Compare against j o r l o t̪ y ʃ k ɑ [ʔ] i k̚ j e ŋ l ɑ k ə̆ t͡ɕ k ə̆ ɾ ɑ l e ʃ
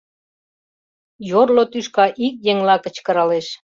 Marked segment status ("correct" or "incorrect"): correct